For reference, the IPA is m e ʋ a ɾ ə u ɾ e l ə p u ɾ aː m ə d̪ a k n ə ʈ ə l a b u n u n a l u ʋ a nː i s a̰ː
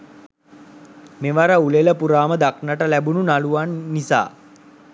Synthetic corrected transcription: m e ʋ a ɾ ə u l e l ə p u ɾ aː m ə d̪ a k n ə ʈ ə l æ b u n u n a l u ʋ a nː i s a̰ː